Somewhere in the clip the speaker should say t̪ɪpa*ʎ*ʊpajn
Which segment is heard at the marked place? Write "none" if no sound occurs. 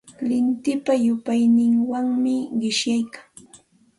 j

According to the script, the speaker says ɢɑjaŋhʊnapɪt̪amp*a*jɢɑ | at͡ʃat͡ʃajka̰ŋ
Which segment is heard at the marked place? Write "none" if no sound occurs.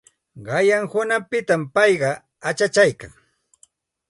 ɑ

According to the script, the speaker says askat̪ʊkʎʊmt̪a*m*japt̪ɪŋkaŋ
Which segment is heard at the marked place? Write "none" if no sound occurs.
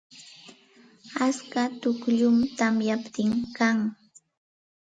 m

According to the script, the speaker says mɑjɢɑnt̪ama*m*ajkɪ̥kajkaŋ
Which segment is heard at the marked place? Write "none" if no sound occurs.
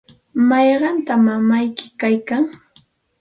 m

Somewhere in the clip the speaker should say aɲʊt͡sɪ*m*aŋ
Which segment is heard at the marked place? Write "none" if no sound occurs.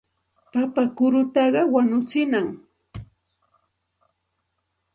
n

